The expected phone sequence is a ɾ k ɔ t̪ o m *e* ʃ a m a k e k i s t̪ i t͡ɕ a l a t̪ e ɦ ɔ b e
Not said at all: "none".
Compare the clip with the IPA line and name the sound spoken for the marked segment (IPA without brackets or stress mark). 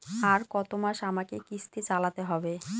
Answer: a